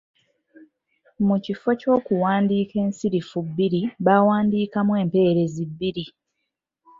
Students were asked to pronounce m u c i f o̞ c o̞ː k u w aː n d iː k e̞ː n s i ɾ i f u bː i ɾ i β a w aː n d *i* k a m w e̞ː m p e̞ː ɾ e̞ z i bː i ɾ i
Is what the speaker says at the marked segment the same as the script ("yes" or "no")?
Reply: no